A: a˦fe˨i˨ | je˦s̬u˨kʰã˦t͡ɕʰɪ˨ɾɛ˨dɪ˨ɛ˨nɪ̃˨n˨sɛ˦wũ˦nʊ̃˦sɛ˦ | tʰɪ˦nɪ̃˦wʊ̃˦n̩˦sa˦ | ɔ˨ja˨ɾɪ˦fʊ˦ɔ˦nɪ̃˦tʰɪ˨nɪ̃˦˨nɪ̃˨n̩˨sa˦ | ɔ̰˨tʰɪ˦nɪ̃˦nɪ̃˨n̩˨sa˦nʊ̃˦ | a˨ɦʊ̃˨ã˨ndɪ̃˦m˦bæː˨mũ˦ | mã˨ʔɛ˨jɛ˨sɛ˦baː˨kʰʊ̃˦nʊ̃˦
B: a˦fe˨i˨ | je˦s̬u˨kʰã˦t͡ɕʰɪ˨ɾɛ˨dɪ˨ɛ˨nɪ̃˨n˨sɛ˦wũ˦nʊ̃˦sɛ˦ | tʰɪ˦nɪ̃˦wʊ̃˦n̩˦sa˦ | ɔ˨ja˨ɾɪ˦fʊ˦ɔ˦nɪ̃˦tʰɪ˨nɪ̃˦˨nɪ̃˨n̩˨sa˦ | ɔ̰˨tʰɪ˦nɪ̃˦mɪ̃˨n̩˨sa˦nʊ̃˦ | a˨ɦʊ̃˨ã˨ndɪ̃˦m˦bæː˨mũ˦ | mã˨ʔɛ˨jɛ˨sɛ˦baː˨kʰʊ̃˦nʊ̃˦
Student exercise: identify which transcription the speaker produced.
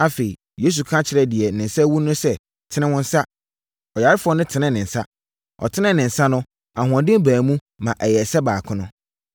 A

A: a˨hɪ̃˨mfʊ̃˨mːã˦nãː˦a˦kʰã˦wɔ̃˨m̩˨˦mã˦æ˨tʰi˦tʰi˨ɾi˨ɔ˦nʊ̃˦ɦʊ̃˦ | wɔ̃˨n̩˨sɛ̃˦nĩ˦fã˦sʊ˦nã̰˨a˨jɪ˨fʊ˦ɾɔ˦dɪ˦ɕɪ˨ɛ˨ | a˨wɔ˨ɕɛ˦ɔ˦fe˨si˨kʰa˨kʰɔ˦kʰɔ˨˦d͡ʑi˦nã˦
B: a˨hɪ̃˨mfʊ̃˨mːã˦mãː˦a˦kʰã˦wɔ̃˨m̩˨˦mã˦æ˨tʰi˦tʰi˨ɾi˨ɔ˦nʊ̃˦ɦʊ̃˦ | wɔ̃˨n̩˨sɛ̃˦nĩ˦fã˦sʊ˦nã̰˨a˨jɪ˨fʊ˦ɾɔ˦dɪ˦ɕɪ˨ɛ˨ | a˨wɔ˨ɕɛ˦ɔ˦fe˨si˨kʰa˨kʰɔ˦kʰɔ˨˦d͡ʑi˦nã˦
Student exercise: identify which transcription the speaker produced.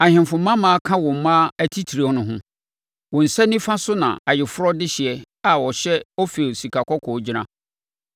B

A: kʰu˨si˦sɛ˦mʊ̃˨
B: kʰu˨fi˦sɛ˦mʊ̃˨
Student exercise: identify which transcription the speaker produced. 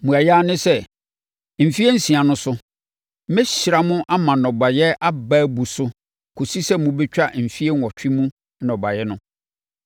A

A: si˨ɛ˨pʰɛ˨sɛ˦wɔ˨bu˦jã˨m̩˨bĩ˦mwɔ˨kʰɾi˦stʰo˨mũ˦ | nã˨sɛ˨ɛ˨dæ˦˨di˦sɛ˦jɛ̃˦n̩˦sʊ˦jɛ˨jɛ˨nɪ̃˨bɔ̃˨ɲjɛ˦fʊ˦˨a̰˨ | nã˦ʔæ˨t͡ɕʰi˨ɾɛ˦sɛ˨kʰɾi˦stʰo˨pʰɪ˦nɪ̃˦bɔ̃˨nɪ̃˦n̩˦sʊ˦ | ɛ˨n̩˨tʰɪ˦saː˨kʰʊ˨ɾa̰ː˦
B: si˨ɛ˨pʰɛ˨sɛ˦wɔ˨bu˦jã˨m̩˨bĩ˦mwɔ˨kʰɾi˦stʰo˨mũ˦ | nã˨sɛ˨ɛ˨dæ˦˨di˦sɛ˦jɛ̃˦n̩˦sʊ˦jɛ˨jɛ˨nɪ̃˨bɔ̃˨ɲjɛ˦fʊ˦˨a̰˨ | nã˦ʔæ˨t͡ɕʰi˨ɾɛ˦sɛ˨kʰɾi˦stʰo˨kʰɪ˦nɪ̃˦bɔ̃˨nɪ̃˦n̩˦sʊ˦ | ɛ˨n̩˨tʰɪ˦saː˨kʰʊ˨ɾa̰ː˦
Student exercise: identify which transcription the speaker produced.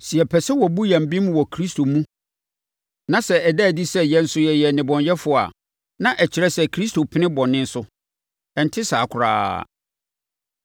A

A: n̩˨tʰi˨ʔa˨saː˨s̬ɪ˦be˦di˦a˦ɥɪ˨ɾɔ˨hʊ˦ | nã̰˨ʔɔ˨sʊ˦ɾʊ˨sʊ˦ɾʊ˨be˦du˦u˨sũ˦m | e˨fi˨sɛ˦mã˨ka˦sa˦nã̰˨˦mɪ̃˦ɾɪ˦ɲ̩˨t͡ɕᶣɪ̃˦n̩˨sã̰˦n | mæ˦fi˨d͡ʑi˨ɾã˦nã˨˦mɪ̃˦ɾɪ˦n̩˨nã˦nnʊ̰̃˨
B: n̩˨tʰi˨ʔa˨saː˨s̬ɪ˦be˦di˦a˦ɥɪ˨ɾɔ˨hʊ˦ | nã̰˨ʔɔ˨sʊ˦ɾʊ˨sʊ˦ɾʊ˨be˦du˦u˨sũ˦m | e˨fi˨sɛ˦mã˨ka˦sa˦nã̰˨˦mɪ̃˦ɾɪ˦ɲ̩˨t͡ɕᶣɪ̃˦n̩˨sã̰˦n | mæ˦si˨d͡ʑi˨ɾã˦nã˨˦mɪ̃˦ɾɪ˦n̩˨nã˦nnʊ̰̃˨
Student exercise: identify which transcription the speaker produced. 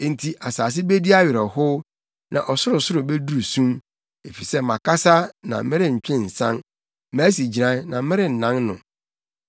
B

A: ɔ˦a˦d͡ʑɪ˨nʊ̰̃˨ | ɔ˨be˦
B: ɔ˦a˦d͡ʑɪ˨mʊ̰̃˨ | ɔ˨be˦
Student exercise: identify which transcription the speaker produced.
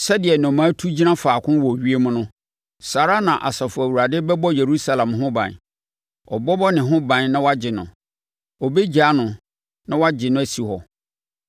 A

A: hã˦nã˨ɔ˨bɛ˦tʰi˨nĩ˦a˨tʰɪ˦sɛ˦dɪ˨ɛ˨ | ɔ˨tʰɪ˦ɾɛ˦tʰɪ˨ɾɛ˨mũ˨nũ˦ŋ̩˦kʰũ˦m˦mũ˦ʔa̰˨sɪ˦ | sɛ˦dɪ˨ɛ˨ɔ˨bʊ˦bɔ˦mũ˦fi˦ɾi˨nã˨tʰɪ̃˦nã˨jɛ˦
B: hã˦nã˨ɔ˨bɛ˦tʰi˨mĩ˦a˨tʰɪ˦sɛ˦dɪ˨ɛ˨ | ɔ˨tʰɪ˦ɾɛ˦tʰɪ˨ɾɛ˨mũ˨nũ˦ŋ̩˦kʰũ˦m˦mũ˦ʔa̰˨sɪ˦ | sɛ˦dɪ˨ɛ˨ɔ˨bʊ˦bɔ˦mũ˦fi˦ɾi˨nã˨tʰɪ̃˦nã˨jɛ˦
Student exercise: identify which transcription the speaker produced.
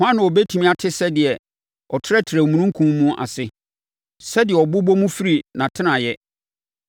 B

